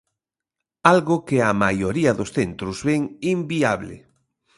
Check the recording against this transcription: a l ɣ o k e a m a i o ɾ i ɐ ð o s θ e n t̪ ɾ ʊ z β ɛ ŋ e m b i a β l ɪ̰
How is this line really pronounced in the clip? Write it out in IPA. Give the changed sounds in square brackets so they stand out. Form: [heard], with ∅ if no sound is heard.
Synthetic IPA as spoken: a l ɣ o k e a m a [j] o ɾ i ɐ ð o s θ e n t̪ ɾ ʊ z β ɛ ŋ [i] m b i a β l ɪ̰